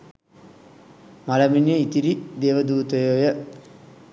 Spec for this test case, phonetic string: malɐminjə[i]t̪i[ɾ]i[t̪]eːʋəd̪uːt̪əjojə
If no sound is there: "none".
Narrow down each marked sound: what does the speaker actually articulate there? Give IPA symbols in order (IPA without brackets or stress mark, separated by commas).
i, ɾ, d̪